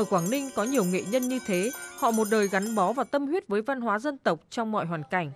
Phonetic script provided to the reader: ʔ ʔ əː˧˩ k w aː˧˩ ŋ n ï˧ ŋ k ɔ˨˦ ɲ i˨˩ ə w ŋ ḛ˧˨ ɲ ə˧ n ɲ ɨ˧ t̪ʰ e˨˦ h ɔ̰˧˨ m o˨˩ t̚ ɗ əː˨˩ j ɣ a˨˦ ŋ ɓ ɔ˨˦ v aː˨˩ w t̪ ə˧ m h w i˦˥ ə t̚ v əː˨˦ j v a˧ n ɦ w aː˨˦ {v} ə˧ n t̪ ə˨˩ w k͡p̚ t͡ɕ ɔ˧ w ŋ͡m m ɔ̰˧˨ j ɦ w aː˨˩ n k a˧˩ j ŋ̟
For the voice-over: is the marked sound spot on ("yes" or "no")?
no